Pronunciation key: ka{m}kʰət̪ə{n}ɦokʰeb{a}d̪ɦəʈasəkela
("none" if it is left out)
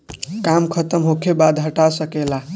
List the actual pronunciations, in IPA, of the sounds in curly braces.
m, m, a

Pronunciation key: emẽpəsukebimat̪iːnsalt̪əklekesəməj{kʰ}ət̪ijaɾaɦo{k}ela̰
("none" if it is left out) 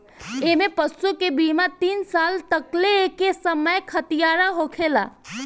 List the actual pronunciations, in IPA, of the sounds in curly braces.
kʰ, kʰ

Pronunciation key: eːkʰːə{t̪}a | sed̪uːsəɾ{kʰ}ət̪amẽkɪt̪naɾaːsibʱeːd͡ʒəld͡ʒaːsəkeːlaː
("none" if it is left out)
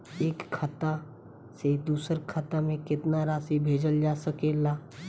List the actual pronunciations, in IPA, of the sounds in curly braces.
t̪, kʰ

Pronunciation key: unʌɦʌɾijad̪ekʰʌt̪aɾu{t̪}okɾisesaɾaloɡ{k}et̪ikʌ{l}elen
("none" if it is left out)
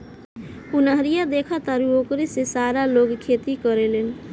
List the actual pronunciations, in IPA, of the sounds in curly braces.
none, kʰ, ɾ

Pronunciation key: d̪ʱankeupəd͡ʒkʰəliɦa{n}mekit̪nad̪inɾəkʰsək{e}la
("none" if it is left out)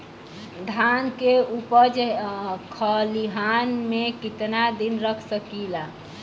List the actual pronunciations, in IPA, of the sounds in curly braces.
n, i

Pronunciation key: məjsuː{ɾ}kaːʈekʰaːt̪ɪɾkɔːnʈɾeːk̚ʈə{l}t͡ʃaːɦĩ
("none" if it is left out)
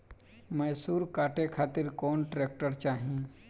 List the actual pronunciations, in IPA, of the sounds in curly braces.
ɾ, ɾ

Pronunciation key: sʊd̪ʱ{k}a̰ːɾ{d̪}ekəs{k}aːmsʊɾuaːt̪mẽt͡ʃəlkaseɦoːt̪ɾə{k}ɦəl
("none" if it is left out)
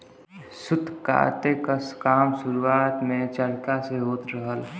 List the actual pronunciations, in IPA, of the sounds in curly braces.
k, t̪, k, none

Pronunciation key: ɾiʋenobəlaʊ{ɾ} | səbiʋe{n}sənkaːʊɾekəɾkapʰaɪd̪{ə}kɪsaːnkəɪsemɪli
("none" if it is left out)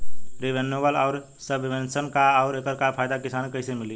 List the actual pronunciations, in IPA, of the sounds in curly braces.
ɾ, n, a

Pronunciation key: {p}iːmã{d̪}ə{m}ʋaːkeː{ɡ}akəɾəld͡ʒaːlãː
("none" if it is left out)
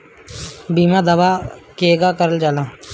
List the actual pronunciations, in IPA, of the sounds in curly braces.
b, d̪, none, ɡ

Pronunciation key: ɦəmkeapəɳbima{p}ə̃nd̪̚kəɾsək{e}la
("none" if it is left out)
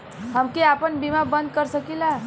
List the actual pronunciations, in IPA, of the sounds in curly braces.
b, i

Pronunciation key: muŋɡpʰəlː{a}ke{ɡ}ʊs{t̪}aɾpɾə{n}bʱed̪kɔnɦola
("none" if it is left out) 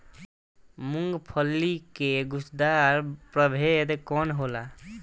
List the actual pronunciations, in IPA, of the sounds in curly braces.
i, ɡ, d̪, none

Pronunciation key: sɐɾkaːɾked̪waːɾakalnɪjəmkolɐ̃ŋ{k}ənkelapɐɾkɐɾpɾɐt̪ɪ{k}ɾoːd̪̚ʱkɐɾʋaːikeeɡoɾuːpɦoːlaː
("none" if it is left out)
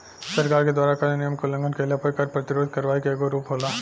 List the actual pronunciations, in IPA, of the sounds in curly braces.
ɡ, none

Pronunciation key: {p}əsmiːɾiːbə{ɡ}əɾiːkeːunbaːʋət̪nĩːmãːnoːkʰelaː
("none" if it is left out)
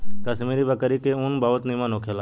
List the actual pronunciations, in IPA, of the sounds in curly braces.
k, k

